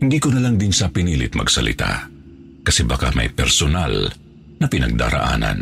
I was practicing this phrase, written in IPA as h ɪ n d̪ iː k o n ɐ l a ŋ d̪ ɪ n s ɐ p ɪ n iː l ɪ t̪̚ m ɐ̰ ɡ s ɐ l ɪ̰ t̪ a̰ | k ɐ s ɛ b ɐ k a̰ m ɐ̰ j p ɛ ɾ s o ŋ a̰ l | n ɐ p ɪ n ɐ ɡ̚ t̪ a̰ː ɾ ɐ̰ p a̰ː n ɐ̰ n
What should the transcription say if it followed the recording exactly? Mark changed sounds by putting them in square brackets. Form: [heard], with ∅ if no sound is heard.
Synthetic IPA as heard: h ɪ n d̪ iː k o n ɐ l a ŋ d̪ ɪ n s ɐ p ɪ n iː l ɪ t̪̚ m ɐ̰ ɡ s ɐ l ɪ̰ t̪ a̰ | k ɐ s ɛ b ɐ k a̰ m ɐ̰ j p ɛ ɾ s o [n] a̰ l | n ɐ p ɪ n ɐ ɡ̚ [d̪] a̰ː ɾ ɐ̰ [ʔ] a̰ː n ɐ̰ n